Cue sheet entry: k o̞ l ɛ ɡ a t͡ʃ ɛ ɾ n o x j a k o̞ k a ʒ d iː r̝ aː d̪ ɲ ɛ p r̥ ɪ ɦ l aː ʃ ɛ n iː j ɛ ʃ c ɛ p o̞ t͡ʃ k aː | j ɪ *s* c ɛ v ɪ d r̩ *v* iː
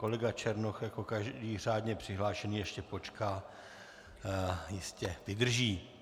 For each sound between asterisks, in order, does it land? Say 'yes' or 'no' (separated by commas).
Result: yes, no